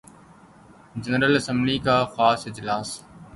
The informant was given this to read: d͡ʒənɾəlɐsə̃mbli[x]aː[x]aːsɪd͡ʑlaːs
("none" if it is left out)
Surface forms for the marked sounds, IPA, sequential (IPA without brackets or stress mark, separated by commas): k, x